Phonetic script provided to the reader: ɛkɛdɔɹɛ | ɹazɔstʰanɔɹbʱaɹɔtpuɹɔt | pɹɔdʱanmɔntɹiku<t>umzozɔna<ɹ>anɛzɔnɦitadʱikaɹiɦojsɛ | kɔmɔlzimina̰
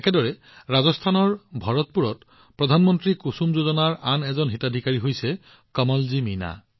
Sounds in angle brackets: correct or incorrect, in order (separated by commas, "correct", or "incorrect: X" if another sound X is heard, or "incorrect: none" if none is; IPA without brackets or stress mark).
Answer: incorrect: s, correct